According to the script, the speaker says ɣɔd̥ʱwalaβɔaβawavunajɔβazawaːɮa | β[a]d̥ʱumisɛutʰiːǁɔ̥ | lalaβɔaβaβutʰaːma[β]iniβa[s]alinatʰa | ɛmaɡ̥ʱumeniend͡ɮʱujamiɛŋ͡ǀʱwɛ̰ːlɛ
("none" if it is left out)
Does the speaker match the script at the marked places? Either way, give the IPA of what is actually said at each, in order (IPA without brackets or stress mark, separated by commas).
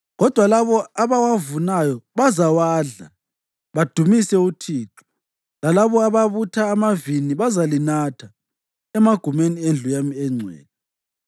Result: a, v, z